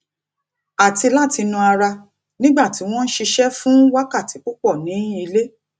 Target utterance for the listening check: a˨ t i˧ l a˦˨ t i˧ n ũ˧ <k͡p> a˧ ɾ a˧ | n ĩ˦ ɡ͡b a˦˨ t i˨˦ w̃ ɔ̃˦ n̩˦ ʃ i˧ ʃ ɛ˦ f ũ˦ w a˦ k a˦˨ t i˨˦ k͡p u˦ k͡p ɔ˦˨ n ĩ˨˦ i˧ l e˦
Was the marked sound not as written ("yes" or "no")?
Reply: yes